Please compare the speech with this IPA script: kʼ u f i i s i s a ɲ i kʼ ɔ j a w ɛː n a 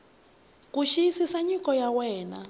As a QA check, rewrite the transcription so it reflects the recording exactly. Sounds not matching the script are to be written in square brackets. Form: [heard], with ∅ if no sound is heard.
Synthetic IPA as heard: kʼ u [ʃ] i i s i s a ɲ i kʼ ɔ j a w ɛː n a